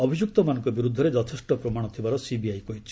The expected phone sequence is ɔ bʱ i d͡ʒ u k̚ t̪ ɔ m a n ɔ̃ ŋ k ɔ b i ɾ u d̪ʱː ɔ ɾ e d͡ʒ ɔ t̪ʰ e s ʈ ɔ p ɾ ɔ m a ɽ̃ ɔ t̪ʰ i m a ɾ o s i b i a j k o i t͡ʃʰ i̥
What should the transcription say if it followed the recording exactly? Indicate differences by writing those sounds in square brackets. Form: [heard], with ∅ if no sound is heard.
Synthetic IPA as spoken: ɔ bʱ i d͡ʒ u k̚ t̪ ɔ m a n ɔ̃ ŋ k ɔ b i ɾ u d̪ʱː ɔ ɾ e d͡ʒ ɔ t̪ʰ e s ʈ ɔ p ɾ ɔ m a ɽ̃ ɔ t̪ʰ i [b] a ɾ [ɔ] s i b i a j k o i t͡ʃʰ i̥